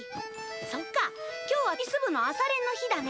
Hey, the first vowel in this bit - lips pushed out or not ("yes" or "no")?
yes